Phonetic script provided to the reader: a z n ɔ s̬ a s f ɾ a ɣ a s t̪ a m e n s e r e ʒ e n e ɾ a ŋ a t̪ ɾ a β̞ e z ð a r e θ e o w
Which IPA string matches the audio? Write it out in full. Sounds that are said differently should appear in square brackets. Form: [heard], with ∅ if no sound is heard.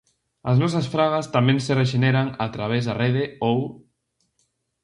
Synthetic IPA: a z n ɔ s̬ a s f ɾ a ɣ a s t̪ a m e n s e r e ʒ e n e ɾ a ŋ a t̪ ɾ a β̞ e z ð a r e [ð] e o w